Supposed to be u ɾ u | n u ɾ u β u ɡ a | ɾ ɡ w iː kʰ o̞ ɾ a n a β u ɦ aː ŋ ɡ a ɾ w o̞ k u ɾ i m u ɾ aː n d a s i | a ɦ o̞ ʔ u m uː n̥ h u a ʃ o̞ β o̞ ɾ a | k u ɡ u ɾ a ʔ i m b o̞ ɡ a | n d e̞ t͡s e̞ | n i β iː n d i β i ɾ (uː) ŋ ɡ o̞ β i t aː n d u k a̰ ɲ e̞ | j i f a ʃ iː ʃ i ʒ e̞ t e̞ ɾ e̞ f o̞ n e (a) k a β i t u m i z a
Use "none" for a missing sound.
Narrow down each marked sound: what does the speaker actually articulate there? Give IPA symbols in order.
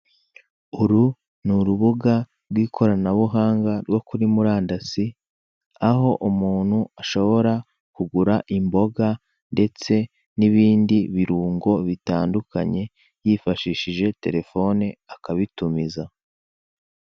uː, a

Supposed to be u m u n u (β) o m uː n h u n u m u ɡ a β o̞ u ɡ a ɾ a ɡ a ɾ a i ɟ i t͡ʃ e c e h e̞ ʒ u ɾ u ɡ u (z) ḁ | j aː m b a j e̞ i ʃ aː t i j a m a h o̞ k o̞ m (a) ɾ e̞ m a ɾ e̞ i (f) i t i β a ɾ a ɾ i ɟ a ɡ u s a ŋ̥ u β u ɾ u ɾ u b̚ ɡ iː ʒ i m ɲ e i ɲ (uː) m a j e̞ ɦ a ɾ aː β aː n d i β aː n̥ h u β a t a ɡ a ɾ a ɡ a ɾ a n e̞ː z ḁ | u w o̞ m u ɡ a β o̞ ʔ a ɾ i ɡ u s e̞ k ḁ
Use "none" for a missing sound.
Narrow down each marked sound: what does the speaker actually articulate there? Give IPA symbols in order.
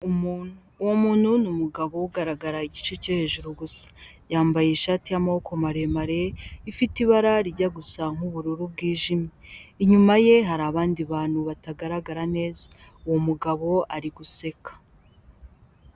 w, s, a, f, u

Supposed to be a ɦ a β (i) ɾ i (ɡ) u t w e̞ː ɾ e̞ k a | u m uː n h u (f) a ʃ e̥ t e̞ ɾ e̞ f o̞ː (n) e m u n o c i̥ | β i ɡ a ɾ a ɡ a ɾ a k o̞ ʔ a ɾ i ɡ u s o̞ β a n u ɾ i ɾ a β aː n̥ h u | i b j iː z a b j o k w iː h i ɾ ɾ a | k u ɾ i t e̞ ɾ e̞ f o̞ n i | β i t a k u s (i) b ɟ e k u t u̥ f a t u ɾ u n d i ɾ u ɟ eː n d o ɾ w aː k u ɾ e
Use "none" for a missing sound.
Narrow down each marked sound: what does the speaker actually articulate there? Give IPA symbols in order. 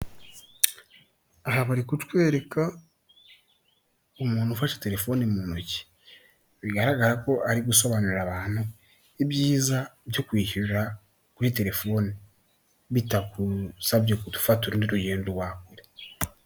a, k, f, n, a

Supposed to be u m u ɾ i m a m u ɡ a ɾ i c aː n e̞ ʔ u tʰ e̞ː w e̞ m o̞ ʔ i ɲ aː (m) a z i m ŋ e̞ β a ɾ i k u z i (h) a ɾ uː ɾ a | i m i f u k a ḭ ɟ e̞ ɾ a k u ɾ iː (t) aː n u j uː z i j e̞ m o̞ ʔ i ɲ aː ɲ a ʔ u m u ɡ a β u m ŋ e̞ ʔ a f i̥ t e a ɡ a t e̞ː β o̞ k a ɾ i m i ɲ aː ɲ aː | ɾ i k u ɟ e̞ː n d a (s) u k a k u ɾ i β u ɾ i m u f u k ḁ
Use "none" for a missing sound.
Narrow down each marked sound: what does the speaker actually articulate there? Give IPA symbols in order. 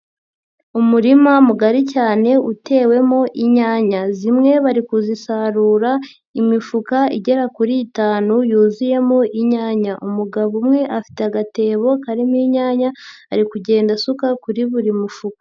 ɲ, s, t, s

